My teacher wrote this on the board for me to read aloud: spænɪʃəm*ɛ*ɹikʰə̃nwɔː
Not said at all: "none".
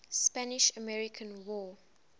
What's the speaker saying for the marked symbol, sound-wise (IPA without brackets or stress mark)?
ɛ